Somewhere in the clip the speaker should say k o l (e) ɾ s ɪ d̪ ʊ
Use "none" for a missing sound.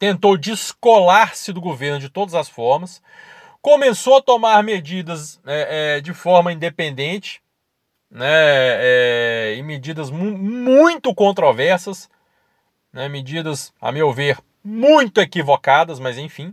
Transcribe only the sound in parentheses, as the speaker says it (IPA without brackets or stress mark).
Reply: a